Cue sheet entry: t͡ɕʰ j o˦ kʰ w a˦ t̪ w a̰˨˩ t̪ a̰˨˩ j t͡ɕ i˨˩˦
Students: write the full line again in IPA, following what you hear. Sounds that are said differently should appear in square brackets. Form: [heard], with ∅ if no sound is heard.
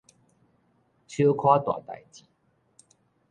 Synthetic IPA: t͡ɕʰ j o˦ kʰ w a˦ t̪ w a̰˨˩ t̪ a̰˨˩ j t͡ɕ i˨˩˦